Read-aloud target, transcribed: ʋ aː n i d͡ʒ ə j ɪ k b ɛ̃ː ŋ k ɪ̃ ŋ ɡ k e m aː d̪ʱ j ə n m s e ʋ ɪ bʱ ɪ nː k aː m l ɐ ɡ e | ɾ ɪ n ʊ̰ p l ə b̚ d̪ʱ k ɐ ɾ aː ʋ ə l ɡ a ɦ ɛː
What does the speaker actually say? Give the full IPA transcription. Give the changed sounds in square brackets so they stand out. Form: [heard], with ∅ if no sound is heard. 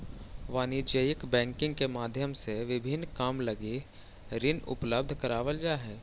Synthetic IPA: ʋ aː n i d͡ʒ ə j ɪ k b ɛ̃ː ŋ k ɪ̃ ŋ ɡ k e m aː d̪ʱ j ə [∅] m s e ʋ ɪ bʱ ɪ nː k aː m l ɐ ɡ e | ɾ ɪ n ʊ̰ p l ə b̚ d̪ʱ k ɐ ɾ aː ʋ ə l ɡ a ɦ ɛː